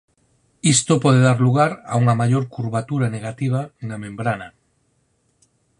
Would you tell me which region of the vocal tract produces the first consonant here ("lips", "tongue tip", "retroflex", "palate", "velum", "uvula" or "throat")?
tongue tip